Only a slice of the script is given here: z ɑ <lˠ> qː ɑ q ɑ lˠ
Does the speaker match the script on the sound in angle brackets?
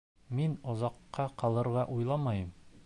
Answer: no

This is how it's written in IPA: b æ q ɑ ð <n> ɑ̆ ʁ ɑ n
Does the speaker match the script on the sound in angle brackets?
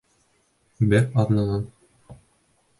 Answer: yes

